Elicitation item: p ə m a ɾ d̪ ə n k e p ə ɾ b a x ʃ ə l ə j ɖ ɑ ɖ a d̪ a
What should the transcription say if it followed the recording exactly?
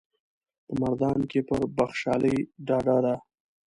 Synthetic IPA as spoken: p ə m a ɾ d̪ ɑ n k e p ə ɾ b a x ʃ ɑ l ə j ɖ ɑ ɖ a d̪ a